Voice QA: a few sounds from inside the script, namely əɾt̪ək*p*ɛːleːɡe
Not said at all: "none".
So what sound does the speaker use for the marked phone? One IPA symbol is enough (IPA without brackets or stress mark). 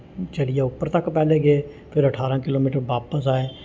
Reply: p